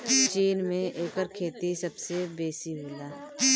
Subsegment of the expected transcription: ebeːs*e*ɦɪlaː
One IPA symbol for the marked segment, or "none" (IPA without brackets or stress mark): i